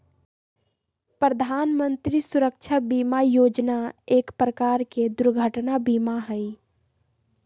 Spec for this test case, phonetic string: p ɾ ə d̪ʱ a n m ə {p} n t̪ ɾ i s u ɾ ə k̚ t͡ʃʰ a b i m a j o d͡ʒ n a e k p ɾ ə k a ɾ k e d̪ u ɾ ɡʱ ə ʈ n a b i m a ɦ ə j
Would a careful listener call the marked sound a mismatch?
yes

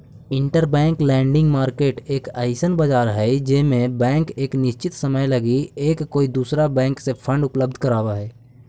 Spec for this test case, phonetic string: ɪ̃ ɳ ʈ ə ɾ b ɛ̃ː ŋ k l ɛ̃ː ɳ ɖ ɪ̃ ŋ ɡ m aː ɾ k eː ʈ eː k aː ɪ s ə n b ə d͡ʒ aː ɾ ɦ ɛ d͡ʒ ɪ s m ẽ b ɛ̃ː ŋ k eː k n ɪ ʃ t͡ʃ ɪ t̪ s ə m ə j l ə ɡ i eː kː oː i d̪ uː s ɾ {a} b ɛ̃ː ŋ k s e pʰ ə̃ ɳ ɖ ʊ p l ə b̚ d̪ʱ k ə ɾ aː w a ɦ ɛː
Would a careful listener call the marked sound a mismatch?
no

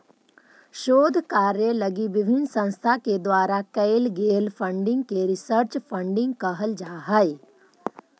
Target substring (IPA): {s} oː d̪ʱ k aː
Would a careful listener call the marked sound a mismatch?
yes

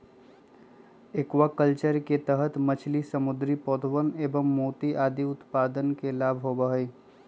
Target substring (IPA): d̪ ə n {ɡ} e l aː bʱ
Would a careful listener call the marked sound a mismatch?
yes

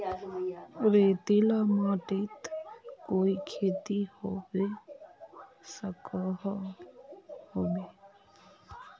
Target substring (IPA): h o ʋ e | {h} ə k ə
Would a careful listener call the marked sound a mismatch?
yes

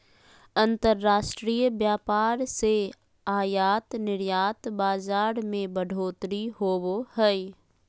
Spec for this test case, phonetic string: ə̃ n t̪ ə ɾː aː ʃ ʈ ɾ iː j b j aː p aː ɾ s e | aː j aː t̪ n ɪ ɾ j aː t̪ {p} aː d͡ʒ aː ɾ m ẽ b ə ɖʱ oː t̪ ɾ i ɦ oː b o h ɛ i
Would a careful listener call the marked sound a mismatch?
yes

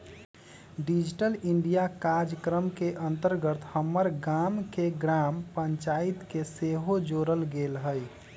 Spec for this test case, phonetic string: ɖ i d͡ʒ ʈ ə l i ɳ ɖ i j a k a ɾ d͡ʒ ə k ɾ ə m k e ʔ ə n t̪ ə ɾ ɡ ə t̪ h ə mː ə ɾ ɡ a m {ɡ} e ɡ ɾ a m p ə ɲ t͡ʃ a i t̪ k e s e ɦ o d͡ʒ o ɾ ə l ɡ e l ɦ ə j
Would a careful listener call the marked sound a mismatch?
yes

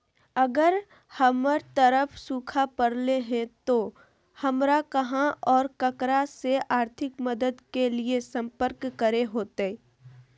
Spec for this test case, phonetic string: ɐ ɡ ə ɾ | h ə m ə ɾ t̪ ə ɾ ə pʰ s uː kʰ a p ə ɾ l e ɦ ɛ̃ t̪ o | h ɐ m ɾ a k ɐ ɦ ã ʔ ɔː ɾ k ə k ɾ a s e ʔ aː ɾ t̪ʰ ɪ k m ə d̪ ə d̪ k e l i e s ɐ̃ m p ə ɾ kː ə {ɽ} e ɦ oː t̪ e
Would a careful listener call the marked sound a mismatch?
yes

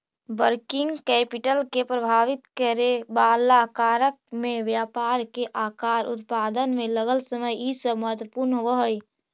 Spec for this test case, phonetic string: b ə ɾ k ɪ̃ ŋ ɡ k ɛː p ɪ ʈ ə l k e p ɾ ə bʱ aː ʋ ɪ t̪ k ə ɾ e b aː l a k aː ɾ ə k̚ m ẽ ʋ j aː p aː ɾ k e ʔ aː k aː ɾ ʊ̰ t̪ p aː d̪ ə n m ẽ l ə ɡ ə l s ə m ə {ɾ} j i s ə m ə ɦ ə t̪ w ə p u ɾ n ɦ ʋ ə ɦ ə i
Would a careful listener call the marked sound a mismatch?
yes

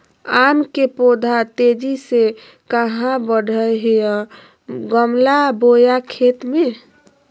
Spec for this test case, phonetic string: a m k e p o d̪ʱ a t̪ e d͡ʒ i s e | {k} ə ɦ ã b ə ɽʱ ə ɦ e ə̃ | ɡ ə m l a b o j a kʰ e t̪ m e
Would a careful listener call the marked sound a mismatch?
no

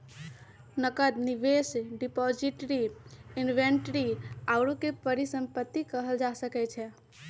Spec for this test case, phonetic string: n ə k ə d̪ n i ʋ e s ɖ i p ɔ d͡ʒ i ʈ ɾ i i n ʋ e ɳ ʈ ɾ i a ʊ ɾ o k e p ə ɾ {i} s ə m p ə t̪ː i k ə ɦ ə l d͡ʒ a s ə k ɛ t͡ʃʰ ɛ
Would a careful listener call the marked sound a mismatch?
no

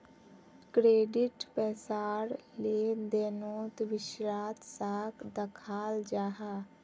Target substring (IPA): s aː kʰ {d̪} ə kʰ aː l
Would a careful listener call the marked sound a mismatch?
no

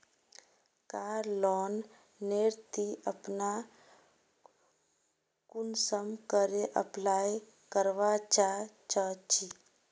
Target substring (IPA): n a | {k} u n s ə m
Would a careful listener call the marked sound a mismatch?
no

